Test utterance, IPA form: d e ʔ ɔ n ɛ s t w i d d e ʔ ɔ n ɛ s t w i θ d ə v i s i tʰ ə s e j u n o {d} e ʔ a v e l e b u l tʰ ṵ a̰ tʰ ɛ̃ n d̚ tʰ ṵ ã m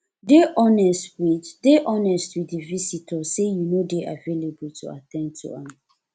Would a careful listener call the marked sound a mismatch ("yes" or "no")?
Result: no